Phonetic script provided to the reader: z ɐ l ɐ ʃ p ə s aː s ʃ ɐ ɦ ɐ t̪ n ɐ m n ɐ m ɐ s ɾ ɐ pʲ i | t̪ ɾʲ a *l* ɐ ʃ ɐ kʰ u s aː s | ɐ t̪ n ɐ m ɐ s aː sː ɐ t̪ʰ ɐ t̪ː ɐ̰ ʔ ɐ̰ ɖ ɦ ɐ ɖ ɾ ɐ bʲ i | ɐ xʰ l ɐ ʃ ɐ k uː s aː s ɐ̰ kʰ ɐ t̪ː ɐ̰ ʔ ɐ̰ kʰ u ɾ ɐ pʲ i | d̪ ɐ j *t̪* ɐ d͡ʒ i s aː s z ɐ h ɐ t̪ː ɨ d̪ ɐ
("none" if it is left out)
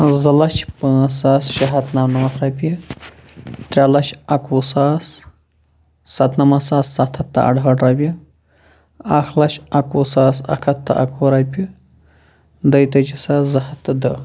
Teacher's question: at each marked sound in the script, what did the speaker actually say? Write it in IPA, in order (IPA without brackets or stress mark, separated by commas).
l, t̪